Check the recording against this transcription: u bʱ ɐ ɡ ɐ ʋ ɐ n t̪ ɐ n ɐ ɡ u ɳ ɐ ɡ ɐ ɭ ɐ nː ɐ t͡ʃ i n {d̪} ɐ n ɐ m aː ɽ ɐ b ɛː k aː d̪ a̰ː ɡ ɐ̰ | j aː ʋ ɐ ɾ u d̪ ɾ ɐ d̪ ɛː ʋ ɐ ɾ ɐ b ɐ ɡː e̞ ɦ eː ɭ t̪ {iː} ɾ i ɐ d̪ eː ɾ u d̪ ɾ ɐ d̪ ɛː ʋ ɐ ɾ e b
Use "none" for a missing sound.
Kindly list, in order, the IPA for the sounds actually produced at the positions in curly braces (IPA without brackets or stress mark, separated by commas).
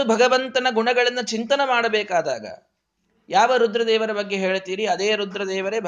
t̪, iː